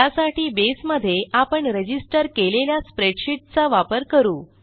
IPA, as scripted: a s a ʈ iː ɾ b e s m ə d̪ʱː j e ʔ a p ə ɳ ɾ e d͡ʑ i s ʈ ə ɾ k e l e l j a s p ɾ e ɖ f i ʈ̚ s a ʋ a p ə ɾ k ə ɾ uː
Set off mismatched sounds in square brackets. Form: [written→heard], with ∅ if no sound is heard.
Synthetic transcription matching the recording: a s a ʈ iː [ɾ→∅] b e s m ə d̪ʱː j e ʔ a p ə ɳ ɾ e d͡ʑ i s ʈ ə ɾ k e l e l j a s p ɾ e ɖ [f→ɕ] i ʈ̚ [s→t͡s] a ʋ a p ə ɾ k ə ɾ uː

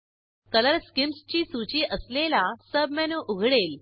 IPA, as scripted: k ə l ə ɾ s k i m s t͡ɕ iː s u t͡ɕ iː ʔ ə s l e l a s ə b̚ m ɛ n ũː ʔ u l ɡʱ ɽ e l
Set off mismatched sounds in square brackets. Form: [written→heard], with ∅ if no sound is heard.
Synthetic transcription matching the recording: k ə l ə ɾ s k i m s t͡ɕ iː s u t͡ɕ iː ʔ ə s l e l a s ə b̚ m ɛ n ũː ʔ u [l→∅] ɡʱ ɽ e l

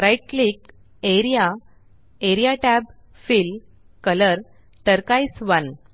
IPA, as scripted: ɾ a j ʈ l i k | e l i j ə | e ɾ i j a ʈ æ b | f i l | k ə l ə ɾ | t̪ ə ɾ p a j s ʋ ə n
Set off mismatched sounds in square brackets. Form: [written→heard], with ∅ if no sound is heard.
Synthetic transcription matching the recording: ɾ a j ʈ l i k | e [l→ɾ] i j [ə→a] | e ɾ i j a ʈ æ b | f i l | k ə l ə ɾ | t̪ ə ɾ [p→k] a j s ʋ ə n

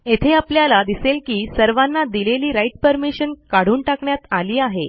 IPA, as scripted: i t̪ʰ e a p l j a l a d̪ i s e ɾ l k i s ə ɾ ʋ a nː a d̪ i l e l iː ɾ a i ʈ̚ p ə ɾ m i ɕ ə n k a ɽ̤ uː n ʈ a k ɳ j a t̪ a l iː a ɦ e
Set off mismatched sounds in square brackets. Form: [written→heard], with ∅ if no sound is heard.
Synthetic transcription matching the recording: [i→e] t̪ʰ e a p l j a l a d̪ i s e [ɾ→∅] l k [i→iː] s ə ɾ ʋ a nː a d̪ i l e l iː ɾ a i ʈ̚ p ə ɾ m i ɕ ə n k a ɽ̤ uː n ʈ a k ɳ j a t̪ a l iː a ɦ e

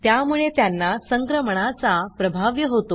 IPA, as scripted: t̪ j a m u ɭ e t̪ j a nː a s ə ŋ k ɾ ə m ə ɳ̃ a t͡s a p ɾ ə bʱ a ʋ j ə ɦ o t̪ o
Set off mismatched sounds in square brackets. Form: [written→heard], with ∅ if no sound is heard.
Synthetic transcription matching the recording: t̪ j a m u ɭ e t̪ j a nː a s ə ŋ k ɾ ə m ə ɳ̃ a t͡s a p ɾ ə bʱ a ʋ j ə ɦ o t̪ o

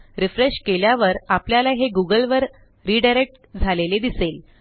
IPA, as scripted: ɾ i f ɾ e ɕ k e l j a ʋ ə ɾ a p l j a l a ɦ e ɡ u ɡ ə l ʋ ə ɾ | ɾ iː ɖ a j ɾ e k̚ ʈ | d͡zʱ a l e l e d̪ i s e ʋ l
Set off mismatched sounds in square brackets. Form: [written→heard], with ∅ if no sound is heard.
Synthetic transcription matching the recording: ɾ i f ɾ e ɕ k e l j a ʋ ə ɾ a p l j a l a ɦ e ɡ u ɡ ə l ʋ ə ɾ | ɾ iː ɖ a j ɾ e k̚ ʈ | d͡zʱ a l e l e d̪ i s e [ʋ→∅] l

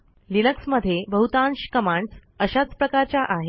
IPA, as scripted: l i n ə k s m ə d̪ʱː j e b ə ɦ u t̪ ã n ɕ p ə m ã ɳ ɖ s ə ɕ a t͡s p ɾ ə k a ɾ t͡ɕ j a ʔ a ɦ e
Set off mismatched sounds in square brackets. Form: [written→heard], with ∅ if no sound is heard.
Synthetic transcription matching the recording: l i n ə k s m ə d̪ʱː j e b ə ɦ u t̪ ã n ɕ [p→k] ə m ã ɳ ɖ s ə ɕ a t͡s p ɾ ə k a ɾ t͡ɕ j a ʔ a ɦ e

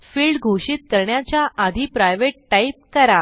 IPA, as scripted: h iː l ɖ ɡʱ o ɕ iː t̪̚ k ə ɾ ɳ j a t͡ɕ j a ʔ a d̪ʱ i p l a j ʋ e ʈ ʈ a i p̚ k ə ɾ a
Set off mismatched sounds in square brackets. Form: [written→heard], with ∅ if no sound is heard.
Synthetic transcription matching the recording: [h→f] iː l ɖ ɡʱ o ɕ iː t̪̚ k ə ɾ ɳ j a t͡ɕ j a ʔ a d̪ʱ i p [l→ɾ] a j ʋ e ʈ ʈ a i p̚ k ə ɾ a

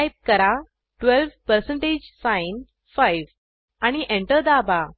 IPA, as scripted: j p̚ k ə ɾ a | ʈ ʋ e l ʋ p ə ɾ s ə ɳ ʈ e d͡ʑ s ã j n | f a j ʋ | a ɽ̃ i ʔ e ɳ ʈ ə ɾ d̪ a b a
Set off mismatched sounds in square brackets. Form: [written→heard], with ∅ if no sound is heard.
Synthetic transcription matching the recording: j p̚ k ə ɾ a | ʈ ʋ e l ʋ p ə ɾ s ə ɳ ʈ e d͡ʑ s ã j n | f a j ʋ | a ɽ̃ i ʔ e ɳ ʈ ə ɾ d̪ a b a

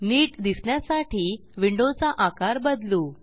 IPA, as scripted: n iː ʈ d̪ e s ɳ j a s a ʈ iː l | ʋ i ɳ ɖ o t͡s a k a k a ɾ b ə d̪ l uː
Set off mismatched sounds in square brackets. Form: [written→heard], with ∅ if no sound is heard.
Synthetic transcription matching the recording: n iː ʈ d̪ [e→i] s ɳ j a s a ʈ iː [l→∅] | ʋ i ɳ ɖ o t͡s a [k→ʔ] a k a ɾ b ə d̪ l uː

